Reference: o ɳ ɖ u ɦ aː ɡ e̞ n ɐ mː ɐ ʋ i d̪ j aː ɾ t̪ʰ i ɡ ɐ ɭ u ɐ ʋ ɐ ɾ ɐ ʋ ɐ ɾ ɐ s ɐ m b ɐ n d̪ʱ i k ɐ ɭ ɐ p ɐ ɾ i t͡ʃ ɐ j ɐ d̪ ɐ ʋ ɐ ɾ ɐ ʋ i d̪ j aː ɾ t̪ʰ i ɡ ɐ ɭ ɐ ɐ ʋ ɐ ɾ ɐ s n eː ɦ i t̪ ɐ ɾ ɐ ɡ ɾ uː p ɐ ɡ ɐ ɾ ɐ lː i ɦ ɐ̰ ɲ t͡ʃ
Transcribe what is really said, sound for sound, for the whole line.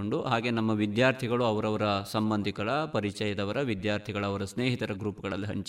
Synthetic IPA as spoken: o ɳ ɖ u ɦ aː ɡ e̞ n ɐ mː ɐ ʋ i d̪ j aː ɾ t̪ʰ i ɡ ɐ ɭ u ɐ ʋ ɐ ɾ ɐ ʋ ɐ ɾ ɐ s ɐ m b ɐ n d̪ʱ i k ɐ ɭ ɐ p ɐ ɾ i t͡ʃ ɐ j ɐ d̪ ɐ ʋ ɐ ɾ ɐ ʋ i d̪ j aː ɾ t̪ʰ i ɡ ɐ ɭ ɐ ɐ ʋ ɐ ɾ ɐ s n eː ɦ i t̪ ɐ ɾ ɐ ɡ ɾ uː p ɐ ɡ ɐ ɭ ɐ lː i ɦ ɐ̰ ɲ t͡ʃ